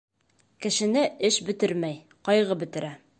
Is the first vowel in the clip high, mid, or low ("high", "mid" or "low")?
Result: mid